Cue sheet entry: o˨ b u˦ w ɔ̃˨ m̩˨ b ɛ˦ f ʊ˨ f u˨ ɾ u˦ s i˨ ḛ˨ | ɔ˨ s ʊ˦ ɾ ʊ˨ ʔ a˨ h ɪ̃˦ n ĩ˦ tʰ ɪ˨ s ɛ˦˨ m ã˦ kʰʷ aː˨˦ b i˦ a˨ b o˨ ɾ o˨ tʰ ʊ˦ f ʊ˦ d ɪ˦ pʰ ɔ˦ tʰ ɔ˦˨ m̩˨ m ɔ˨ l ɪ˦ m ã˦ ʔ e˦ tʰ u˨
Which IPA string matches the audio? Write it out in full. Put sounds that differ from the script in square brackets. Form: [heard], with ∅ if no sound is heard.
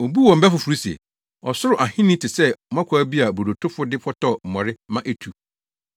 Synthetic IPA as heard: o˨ b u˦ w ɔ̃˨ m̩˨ b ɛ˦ f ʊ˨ f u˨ ɾ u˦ s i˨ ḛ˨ | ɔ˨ s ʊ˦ ɾ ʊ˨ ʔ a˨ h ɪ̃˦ n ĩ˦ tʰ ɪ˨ s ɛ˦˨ m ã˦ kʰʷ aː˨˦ b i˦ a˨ b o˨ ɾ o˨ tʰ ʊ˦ f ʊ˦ d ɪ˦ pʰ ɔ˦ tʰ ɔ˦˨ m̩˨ m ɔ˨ [ɾ] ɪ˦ m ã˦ ʔ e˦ tʰ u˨